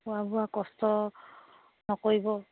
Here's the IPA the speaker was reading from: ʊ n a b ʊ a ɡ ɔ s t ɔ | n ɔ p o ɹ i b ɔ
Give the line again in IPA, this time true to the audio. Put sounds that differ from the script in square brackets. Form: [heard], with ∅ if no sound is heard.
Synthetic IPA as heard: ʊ [∅] a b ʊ a [k] ɔ s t ɔ | n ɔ [k] o ɹ i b ɔ